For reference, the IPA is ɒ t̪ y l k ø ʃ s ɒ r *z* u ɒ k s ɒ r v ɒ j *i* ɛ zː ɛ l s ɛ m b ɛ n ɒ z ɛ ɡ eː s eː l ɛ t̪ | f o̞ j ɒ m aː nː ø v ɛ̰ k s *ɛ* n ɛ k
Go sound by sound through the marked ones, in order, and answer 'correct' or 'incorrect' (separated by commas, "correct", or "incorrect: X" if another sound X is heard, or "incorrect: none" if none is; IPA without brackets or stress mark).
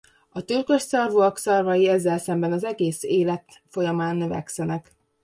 incorrect: v, correct, correct